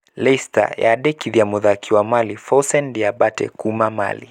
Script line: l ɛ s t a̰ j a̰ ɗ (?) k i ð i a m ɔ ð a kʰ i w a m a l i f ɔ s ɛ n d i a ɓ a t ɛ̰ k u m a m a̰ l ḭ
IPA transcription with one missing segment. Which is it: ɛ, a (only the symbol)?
ɛ